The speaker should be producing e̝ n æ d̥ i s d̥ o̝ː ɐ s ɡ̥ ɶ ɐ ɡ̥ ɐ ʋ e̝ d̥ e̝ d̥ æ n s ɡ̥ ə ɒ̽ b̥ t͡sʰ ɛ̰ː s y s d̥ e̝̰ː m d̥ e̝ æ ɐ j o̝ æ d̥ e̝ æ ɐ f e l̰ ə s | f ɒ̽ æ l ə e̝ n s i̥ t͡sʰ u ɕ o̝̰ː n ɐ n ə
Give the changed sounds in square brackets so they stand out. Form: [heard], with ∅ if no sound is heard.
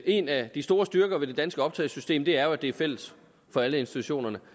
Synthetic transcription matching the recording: e̝ n æ d̥ i s d̥ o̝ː ɐ s [d̥] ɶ ɐ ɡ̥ ɐ ʋ e̝ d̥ e̝ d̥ æ n s ɡ̥ ə ɒ̽ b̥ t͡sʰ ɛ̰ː s y s d̥ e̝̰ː m d̥ e̝ æ ɐ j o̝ æ d̥ e̝ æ ɐ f e l̰ ə s | f ɒ̽ æ l ə e̝ n s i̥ t͡sʰ u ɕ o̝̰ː n ɐ n ə